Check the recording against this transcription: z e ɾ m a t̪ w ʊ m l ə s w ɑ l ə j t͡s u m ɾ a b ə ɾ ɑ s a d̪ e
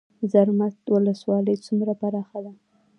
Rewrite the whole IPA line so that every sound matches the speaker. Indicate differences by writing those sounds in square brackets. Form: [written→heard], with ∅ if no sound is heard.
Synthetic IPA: z [e→a] ɾ m a t̪ w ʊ [m→∅] l ə s w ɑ l ə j t͡s u m ɾ a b [ə→a] ɾ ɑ [s→x] a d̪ [e→a]